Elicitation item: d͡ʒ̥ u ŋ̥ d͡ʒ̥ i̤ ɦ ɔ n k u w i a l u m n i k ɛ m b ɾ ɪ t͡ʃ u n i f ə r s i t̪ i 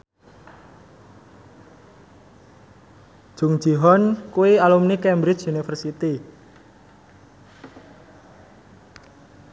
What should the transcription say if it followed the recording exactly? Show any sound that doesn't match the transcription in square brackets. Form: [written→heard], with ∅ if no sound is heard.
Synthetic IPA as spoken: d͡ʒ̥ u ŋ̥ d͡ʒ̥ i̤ ɦ ɔ n k u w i a l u m n i k ɛ m b ɾ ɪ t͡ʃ u n i f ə r s i t̪ i

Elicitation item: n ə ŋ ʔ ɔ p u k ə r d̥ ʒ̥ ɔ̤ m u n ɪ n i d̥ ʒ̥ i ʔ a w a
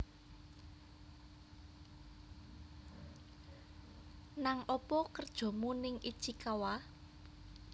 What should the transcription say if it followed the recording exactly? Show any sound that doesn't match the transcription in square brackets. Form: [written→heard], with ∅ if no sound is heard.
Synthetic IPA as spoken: n [ə→a] ŋ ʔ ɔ p [u→ɔ] k ə r d̥ ʒ̥ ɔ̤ m u n ɪ [n→ŋ] i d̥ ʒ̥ i [ʔ→k] a w a

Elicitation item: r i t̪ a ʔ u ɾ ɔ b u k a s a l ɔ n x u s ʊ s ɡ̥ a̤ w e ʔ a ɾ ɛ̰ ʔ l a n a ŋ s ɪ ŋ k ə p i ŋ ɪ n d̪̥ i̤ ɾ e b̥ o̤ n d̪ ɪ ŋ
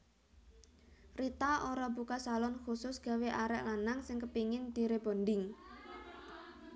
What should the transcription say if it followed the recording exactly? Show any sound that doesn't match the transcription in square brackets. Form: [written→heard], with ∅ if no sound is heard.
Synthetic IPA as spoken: r i t̪ a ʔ [u→o] ɾ ɔ b u k a s a l ɔ n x u s ʊ s ɡ̥ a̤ w e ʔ a ɾ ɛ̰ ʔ l a n a ŋ s ɪ ŋ k ə p i ŋ ɪ n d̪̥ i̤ ɾ e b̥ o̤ n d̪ ɪ ŋ

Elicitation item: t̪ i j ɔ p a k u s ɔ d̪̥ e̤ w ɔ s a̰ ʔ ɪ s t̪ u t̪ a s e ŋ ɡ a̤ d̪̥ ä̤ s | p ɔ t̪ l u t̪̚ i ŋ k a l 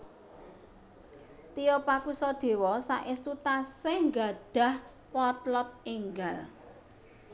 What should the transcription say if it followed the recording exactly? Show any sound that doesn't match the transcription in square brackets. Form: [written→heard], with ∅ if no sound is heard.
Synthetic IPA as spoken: t̪ i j ɔ p a k u s ɔ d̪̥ e̤ w ɔ s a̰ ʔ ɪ s t̪ u t̪ a s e ŋ ɡ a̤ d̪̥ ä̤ [s→h] | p ɔ t̪ l [u→ɔ] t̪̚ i ŋ [k→ɡ] a l

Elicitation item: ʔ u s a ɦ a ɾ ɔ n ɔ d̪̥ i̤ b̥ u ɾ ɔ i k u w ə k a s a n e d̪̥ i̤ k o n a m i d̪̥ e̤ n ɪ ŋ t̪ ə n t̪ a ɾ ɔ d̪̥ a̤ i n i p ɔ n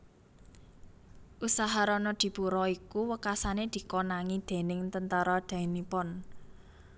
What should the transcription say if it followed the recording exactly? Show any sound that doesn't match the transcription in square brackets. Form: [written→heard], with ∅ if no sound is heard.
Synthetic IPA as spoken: ʔ u s a ɦ a ɾ ɔ n ɔ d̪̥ i̤ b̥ u ɾ ɔ i k u w ə k a s a n e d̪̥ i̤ k o n a [m→ŋ] i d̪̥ e̤ n ɪ ŋ t̪ ə n t̪ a ɾ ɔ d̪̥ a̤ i n i p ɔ n

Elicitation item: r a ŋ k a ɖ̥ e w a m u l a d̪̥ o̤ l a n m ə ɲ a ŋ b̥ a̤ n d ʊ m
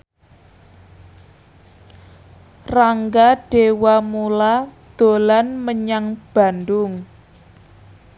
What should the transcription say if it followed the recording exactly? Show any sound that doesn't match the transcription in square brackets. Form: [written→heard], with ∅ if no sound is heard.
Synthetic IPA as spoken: r a ŋ [k→ɡ] a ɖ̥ e w a m u l a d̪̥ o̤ l a n m ə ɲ a ŋ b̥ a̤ n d ʊ [m→ŋ]

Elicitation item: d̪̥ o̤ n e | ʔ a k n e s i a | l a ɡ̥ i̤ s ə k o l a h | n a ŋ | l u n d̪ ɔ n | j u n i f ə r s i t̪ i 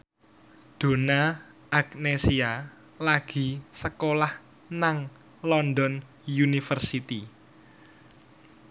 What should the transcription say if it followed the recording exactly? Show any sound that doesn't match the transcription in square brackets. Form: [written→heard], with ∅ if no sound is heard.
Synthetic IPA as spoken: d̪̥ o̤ n [e→a] | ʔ a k n e s i a | l a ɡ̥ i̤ s ə k o l a h | n a ŋ | l [u→ɔ] n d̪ ɔ n | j u n i f ə r s i t̪ i

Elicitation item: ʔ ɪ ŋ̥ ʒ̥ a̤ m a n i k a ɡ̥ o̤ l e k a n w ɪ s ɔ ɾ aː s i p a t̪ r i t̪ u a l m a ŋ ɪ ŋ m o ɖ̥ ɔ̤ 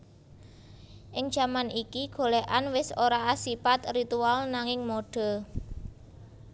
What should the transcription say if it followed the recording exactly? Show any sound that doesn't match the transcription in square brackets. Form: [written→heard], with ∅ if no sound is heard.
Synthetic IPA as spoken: ʔ ɪ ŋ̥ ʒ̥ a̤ m a n i k [a→i] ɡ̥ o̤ l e [k→ʔ] a n w ɪ s [ɔ→o] ɾ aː s i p a t̪ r i t̪ u a l [m→n] a ŋ ɪ ŋ m o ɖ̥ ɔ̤

